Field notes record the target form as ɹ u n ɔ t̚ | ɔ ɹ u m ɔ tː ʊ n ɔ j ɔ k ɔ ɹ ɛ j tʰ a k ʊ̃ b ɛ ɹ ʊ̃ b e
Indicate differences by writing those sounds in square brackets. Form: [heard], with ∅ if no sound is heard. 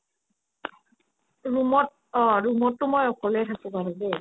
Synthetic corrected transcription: ɹ u [m] ɔ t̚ | ɔ ɹ u m ɔ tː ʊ [m] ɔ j ɔ k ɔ [l] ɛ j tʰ a k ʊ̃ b [a] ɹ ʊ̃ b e